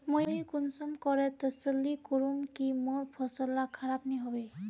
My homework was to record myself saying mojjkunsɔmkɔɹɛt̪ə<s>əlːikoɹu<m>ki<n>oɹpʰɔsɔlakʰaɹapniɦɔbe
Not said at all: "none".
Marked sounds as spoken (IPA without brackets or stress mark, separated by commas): s, m, m